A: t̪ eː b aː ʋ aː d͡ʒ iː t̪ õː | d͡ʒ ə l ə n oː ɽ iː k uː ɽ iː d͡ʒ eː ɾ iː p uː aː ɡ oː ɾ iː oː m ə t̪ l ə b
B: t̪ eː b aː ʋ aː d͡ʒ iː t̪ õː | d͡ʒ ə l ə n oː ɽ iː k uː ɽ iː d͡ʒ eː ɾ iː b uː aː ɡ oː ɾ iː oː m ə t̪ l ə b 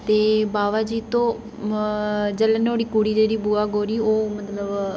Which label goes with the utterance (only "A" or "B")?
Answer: B